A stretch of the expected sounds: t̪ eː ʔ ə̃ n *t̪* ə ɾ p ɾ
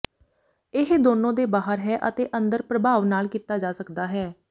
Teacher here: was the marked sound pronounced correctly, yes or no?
no